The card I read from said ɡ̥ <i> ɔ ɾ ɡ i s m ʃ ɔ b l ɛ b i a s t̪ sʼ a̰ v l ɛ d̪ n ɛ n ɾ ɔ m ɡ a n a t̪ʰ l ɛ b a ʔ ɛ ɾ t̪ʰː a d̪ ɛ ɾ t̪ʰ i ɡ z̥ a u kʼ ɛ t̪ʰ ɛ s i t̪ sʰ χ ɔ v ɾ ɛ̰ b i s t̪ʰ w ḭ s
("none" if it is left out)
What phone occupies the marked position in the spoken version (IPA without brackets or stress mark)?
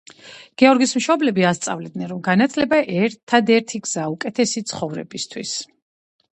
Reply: ɛ